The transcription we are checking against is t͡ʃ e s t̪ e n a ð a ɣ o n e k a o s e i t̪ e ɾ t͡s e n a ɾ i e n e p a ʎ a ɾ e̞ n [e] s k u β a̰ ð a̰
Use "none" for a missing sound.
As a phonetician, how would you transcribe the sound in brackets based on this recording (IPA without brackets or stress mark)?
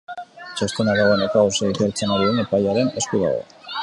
e